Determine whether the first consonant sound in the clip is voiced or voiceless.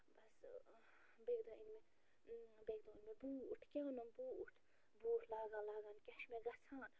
voiced